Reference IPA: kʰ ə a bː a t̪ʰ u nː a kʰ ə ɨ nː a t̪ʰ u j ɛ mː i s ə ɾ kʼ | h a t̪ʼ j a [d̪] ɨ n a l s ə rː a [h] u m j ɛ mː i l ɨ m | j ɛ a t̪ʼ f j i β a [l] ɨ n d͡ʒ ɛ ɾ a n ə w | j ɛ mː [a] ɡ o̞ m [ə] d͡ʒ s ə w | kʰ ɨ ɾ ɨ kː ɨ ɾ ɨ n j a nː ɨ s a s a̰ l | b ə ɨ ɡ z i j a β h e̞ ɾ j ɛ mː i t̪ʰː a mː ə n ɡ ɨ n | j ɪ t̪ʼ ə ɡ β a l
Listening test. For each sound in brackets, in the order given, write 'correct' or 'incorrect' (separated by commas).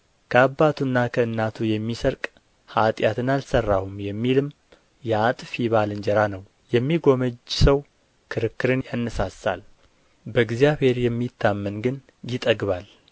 incorrect, correct, correct, incorrect, correct